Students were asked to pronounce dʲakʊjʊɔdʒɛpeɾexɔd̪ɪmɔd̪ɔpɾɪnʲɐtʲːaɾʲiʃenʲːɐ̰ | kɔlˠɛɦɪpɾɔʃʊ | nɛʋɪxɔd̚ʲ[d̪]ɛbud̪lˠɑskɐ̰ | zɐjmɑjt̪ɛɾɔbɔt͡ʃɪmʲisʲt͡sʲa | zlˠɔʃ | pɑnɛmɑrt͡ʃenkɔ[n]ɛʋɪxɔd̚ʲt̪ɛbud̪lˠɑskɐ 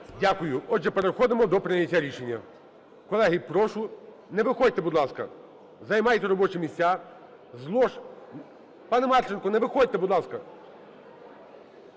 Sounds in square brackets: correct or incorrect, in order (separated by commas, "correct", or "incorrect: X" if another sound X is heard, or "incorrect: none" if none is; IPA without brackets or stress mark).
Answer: incorrect: t̪, correct